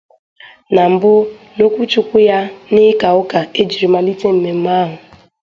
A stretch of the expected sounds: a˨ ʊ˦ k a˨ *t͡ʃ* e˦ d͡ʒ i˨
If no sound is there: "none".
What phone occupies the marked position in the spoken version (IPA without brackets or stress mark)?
none